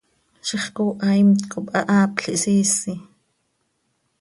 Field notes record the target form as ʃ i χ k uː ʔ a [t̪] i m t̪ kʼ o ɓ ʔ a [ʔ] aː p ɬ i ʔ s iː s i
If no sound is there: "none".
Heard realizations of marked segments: none, ʔ

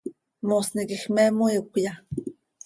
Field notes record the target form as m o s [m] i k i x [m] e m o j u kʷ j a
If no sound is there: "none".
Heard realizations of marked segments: n, m

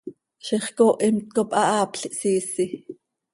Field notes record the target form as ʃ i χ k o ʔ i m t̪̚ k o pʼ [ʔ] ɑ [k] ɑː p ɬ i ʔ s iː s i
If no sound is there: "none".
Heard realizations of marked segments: ʔ, ʔ

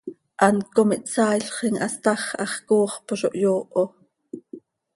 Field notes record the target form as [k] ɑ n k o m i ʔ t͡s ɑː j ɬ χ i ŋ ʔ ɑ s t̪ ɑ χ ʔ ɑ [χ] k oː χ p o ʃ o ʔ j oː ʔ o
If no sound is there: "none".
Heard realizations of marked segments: ʔ, χ

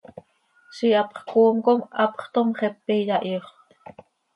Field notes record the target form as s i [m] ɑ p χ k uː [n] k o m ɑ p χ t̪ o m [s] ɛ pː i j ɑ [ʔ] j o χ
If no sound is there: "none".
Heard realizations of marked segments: none, m, χ, ʔ

